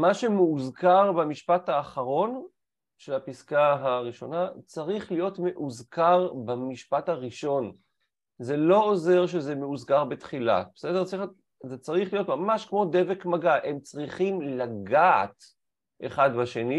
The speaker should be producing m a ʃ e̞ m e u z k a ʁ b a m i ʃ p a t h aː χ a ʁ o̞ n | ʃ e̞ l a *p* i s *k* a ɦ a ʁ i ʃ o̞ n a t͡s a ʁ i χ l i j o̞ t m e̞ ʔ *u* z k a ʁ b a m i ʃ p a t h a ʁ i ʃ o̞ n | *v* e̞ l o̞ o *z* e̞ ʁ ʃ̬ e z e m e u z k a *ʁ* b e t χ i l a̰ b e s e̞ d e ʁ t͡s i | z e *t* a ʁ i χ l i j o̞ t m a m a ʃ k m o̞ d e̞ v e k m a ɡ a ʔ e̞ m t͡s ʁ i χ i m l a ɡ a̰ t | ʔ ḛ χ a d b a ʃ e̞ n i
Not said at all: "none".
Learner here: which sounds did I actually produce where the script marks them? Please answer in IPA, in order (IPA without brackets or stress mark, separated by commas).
p, k, u, z, z, ʁ, t͡s